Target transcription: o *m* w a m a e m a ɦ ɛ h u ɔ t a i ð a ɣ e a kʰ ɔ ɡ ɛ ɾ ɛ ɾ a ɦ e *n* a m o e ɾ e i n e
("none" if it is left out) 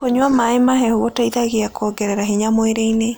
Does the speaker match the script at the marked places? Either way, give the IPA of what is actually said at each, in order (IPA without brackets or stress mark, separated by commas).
ɲ, ɲ